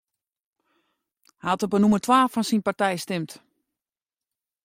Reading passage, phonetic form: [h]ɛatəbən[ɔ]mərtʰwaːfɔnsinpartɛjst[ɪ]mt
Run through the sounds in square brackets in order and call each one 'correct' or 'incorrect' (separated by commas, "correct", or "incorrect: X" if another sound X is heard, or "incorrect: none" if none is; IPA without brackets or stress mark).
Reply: correct, incorrect: u, correct